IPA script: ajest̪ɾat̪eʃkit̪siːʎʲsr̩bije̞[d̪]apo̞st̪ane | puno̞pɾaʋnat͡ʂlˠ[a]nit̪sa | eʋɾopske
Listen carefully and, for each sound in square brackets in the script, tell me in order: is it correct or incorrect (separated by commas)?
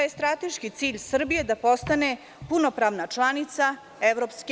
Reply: correct, correct